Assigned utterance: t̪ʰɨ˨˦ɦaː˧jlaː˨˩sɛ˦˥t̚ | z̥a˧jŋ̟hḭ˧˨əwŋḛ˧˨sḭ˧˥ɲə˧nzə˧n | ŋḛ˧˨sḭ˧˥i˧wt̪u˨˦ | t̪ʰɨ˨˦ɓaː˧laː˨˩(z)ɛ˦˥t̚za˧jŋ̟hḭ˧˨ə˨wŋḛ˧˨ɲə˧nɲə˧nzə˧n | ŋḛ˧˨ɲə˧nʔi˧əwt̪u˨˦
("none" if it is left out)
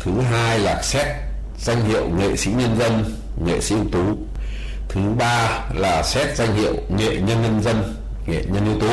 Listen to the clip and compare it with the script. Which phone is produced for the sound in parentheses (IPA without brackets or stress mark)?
s